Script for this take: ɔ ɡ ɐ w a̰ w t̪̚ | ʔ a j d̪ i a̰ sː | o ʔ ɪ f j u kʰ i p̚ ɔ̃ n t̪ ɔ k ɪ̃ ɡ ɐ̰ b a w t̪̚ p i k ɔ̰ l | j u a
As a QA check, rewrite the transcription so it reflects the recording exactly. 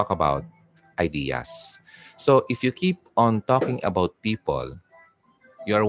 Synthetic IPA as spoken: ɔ k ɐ b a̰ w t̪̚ | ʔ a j d̪ i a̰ sː | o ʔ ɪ f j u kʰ i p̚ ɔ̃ n t̪ ɔ k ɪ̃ ŋ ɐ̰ b a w t̪̚ p i p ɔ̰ l | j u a